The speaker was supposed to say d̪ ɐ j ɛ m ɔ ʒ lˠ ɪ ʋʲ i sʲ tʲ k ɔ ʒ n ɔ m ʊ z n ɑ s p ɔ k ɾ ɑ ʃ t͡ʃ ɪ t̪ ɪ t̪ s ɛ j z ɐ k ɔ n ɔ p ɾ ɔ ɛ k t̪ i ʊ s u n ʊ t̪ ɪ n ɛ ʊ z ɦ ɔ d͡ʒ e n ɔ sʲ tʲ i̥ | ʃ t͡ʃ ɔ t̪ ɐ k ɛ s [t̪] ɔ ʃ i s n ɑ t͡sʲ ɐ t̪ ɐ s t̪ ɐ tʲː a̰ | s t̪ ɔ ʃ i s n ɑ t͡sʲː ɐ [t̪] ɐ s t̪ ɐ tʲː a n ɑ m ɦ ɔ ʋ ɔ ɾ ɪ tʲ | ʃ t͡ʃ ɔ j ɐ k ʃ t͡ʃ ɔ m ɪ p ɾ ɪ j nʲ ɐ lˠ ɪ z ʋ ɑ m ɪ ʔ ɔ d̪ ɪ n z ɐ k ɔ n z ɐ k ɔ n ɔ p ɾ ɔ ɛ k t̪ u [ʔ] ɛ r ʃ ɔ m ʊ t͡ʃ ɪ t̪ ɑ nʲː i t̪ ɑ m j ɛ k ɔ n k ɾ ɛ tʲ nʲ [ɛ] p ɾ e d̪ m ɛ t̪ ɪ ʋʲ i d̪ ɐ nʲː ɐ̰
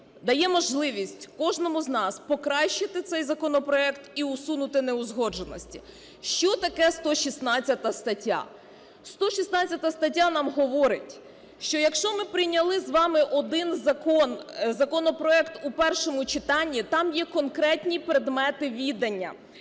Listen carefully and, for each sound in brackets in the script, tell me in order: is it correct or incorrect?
correct, correct, incorrect: p, incorrect: i

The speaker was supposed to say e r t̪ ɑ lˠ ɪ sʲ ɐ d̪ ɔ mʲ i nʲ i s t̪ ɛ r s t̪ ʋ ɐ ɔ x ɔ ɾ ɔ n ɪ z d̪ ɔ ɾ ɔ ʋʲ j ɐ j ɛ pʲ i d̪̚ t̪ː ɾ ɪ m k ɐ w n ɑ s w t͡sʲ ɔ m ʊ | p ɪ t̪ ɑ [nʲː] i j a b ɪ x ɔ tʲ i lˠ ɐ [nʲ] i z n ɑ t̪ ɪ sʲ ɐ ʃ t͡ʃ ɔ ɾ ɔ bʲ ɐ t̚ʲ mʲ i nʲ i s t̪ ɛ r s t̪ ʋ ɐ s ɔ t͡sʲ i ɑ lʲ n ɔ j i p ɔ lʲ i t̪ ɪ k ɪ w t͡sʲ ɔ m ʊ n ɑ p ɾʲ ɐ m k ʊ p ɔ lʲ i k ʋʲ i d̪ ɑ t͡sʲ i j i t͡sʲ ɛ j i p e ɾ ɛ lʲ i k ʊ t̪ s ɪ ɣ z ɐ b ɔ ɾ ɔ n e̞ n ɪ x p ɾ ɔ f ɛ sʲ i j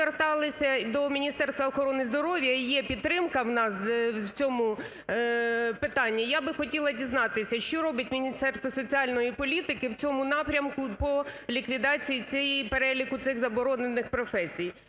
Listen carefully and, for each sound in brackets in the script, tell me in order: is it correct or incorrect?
correct, incorrect: dʲ

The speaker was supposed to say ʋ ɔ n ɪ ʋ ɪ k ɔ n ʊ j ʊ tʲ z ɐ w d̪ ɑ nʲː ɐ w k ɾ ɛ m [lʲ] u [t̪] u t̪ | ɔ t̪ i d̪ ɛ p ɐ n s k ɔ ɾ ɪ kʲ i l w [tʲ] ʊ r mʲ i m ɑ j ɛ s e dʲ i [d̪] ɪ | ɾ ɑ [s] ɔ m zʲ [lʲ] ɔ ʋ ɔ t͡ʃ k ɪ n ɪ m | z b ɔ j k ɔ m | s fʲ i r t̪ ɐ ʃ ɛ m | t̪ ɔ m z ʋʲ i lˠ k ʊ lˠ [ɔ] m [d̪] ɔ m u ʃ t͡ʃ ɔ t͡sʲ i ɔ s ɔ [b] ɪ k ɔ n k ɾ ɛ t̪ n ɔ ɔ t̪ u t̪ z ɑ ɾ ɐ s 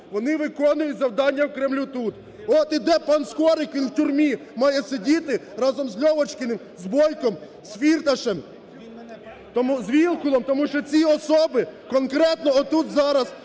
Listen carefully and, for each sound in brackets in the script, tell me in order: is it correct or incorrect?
correct, correct, correct, incorrect: t̪, incorrect: z, correct, correct, incorrect: t̪, correct

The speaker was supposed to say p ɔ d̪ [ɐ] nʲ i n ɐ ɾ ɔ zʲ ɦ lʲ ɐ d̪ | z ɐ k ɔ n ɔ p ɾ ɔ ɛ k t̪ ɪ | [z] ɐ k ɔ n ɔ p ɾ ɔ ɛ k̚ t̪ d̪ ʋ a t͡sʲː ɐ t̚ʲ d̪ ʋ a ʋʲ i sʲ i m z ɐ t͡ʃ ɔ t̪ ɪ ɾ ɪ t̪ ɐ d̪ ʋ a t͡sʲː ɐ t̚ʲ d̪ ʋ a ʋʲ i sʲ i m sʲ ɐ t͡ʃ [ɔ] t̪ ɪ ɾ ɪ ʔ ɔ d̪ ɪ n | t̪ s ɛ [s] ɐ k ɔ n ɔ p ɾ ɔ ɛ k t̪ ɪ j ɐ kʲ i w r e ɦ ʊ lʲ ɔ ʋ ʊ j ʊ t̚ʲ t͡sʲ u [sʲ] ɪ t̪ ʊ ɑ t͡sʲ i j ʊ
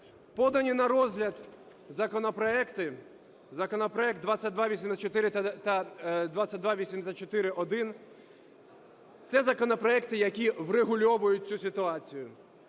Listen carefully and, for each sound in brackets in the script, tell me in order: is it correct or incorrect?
correct, correct, correct, incorrect: z, correct

